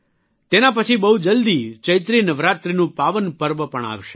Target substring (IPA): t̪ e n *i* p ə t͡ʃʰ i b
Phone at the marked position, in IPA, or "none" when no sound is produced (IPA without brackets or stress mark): a